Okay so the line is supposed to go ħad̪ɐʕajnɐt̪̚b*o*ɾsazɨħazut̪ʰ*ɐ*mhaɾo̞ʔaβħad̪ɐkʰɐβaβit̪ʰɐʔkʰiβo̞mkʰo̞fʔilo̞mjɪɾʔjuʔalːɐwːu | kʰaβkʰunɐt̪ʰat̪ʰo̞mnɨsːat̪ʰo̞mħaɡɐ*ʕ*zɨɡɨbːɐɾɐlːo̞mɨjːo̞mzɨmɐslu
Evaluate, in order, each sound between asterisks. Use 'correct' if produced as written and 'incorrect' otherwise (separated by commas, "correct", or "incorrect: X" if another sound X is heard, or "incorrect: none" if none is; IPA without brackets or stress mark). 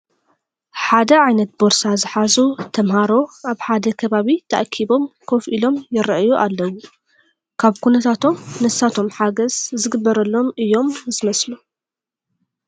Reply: correct, correct, incorrect: z